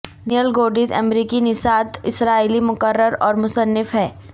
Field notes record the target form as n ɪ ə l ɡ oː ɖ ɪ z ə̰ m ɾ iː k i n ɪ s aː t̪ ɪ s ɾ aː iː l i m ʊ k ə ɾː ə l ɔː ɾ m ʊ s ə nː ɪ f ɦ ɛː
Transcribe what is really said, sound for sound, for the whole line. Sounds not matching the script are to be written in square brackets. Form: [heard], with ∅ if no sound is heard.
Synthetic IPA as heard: n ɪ ə l ɡ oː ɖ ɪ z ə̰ m ɾ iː k i n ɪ s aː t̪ ɪ s ɾ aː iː l i m ʊ k ə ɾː ə [ɾ] ɔː ɾ m ʊ s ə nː ɪ f ɦ ɛː